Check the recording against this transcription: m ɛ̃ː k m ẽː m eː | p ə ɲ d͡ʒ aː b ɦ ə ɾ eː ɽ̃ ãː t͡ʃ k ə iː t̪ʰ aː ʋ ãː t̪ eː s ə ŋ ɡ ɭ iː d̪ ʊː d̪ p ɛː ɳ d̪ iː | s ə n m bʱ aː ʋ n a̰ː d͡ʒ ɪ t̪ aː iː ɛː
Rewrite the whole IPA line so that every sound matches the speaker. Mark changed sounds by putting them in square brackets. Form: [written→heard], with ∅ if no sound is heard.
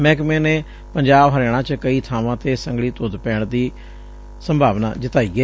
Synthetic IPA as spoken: m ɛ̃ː k m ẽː [m→n] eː | p ə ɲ d͡ʒ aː b ɦ ə ɾ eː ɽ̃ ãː t͡ʃ k ə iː t̪ʰ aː ʋ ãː t̪ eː s ə ŋ ɡ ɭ iː [d̪→t̪] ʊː d̪ p ɛː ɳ d̪ iː | s ə [n→∅] m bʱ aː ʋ n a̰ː d͡ʒ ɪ t̪ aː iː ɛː